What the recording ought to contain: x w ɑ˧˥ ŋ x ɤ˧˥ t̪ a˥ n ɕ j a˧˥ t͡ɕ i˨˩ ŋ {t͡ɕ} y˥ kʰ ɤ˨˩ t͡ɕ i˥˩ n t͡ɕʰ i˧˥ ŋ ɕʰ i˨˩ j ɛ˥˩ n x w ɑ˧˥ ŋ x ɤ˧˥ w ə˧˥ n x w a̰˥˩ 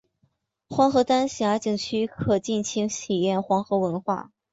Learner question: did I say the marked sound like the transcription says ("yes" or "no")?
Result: no